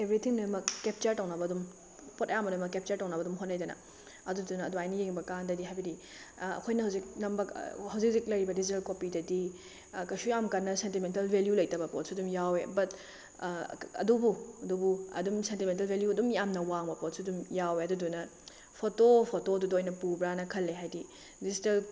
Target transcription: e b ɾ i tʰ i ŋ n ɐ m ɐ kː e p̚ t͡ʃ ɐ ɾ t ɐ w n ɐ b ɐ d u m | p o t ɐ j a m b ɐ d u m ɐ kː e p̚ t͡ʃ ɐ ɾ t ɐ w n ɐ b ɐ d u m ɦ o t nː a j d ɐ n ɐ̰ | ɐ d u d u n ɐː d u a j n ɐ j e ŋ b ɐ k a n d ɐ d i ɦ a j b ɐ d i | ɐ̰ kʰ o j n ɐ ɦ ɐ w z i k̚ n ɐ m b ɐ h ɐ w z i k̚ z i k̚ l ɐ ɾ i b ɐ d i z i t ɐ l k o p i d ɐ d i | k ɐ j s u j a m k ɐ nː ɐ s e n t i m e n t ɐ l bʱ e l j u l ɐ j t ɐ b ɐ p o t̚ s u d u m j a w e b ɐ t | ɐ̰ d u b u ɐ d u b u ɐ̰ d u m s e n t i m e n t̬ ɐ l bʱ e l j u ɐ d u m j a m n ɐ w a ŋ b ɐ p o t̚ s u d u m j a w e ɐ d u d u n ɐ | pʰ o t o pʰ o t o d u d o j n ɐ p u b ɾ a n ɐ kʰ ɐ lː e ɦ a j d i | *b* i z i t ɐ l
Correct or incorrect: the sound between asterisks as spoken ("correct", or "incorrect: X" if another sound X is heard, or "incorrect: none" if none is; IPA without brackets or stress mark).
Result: incorrect: d